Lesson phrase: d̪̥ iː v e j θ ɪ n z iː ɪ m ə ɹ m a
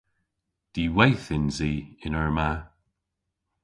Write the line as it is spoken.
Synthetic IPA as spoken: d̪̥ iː w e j θ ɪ n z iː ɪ n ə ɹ m a